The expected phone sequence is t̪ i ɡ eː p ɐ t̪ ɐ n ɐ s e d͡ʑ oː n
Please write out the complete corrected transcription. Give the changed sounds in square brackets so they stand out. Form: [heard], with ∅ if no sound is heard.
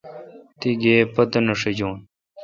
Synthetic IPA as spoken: t̪ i ɡ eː p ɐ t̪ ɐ n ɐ [ʂ] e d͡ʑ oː n